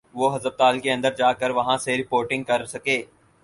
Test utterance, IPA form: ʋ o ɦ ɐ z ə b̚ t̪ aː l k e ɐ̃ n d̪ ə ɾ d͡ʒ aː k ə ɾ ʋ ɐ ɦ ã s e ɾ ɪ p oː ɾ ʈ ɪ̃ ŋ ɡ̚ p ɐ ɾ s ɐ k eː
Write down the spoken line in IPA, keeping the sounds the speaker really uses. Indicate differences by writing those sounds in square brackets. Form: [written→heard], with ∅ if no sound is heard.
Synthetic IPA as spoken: ʋ o ɦ ɐ z ə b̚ t̪ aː l k e ɐ̃ n d̪ ə ɾ d͡ʒ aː k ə ɾ ʋ ɐ ɦ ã s e ɾ ɪ p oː ɾ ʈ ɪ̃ ŋ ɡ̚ [p→k] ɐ ɾ s ɐ k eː